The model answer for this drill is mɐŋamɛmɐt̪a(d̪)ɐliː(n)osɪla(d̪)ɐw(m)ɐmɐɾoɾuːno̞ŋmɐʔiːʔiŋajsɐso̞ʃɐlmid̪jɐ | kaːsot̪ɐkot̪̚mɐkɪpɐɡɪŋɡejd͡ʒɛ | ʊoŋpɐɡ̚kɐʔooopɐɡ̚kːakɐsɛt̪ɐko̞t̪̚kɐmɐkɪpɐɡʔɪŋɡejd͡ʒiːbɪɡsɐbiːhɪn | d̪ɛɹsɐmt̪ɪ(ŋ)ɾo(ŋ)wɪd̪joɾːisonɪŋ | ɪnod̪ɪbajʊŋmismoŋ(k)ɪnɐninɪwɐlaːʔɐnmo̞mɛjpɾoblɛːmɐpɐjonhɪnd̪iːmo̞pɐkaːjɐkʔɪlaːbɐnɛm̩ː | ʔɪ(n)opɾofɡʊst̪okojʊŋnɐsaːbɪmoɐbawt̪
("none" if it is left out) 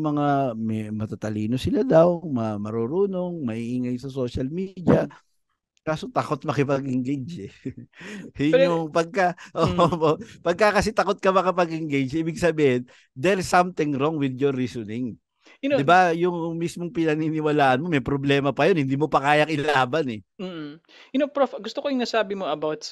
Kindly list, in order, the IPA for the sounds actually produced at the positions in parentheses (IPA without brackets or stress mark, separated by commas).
t̪, n, d̪, m, ŋ, ŋ, p, n